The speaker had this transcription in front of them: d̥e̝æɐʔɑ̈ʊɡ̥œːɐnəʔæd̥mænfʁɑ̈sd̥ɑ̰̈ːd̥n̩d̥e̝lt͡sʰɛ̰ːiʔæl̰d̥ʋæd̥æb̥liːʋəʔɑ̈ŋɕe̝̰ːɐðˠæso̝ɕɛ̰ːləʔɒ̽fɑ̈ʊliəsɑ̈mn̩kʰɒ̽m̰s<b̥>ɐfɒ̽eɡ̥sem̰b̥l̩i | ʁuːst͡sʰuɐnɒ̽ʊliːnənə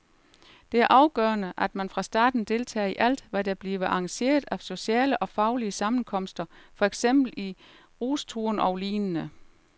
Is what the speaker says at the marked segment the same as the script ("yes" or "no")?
no